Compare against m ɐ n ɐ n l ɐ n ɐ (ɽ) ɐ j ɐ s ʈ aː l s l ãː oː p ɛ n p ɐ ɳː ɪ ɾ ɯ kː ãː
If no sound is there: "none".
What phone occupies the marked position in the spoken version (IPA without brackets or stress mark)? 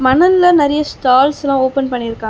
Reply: ɾ